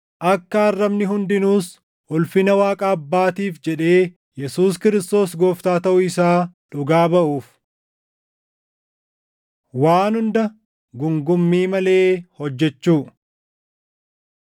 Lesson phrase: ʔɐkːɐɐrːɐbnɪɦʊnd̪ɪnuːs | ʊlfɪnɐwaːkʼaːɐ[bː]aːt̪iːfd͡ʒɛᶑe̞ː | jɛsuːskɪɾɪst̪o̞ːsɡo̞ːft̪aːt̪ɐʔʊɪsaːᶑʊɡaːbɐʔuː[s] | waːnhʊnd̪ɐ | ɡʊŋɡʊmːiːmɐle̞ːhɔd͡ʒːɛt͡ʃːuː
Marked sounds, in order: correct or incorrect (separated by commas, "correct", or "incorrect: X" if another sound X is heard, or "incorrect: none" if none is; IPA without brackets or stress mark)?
correct, incorrect: f